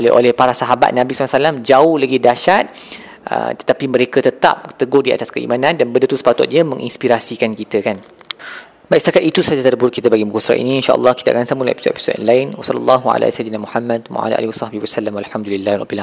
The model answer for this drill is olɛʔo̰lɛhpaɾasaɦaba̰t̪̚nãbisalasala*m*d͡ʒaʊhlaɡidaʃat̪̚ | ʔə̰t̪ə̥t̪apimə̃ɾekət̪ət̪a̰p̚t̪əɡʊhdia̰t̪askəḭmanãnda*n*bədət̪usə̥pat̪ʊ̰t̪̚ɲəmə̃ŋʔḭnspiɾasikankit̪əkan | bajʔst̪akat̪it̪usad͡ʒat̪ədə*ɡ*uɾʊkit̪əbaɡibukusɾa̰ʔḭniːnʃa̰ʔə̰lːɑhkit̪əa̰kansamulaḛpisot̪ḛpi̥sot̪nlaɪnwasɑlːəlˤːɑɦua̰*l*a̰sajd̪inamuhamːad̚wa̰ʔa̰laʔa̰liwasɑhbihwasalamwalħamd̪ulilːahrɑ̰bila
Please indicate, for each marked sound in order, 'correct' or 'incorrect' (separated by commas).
correct, correct, incorrect, correct